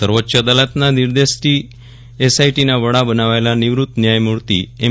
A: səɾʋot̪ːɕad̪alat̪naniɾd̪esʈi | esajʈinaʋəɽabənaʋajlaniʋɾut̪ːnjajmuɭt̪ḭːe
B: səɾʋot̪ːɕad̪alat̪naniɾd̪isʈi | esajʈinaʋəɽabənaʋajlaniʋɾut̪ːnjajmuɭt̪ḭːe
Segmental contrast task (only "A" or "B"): A